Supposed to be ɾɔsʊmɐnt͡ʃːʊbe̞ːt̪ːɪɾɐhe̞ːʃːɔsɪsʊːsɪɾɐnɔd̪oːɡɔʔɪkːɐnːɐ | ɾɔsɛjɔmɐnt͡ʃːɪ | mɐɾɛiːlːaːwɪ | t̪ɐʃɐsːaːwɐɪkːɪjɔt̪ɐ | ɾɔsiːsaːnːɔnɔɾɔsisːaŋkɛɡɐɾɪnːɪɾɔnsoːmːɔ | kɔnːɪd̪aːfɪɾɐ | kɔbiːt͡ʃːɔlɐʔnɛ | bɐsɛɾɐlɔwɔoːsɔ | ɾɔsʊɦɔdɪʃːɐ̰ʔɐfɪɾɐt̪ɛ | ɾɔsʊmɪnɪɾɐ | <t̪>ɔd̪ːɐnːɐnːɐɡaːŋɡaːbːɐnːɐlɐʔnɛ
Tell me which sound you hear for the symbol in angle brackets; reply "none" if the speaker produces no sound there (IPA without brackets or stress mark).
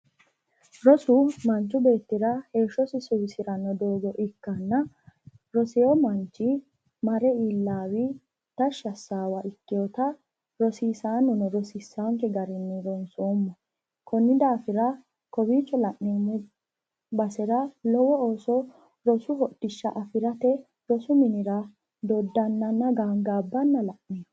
d̪